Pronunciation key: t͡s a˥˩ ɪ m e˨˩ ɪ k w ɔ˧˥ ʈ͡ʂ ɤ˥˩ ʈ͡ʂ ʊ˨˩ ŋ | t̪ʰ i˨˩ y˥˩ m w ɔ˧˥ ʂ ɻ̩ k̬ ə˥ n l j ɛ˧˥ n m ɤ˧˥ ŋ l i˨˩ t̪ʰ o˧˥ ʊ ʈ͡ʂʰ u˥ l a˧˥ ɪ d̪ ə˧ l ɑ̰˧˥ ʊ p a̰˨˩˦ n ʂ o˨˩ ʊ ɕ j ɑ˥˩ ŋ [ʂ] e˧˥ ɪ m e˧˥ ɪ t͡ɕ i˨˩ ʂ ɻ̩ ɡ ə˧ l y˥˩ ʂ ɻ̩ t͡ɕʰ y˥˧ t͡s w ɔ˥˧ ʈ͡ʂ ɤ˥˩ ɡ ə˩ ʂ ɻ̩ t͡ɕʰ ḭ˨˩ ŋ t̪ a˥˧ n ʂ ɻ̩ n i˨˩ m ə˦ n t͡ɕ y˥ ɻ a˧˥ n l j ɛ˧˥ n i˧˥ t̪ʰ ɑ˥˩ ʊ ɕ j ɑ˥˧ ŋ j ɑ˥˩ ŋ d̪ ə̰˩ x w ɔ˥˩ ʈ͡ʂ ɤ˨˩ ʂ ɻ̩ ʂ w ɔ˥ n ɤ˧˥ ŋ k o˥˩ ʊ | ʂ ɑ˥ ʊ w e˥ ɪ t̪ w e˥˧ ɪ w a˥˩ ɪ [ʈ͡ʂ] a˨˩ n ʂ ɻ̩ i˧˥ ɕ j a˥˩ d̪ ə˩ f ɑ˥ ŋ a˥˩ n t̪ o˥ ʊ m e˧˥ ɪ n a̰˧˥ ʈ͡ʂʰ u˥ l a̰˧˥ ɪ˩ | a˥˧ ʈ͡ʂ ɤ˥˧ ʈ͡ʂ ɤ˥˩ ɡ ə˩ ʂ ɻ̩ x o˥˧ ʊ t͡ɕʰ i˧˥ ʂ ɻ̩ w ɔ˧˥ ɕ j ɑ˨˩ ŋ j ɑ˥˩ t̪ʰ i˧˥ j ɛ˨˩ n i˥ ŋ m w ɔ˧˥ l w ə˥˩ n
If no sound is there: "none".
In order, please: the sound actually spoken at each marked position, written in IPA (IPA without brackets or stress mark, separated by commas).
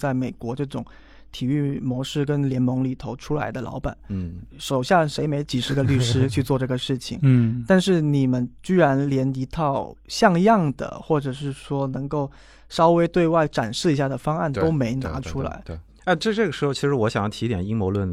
ʂ, ʈ͡ʂ